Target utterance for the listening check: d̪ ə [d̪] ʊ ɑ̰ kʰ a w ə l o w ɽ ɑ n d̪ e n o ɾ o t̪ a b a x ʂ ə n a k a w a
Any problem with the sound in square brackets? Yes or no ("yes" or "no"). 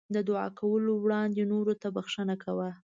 no